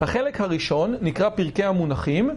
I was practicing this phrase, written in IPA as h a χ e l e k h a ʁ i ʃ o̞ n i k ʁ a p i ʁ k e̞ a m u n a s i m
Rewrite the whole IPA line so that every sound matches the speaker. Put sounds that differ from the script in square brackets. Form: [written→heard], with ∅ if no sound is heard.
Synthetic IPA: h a χ e l e k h a ʁ i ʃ o̞ [n→nː] i k ʁ a p i ʁ k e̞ a m u n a [s→χ] i m